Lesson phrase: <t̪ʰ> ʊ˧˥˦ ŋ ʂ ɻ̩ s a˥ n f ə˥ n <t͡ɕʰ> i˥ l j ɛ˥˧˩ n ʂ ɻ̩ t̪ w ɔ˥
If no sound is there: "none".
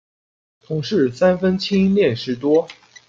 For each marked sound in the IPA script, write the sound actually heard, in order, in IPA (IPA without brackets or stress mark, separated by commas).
t̪ʰ, t͡ɕʰ